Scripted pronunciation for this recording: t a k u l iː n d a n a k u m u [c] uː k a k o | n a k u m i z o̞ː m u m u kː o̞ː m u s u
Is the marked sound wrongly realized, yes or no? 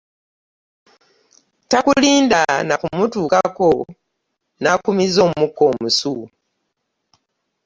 yes